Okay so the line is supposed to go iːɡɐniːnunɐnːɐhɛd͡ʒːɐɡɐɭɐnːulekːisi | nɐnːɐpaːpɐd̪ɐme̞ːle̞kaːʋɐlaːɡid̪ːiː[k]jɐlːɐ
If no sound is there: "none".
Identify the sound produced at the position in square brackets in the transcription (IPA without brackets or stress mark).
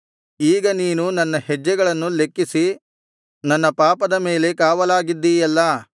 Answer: none